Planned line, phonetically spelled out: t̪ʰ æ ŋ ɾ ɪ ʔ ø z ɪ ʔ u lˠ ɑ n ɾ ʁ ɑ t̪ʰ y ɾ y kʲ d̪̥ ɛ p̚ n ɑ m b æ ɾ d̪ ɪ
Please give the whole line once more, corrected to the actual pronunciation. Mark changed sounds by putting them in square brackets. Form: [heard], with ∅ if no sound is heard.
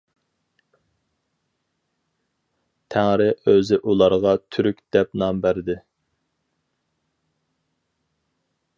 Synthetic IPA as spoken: t̪ʰ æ ŋ ɾ ɪ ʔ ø z ɪ ʔ u lˠ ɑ [∅] ɾ ʁ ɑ t̪ʰ y ɾ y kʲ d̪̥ ɛ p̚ n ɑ m b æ ɾ d̪ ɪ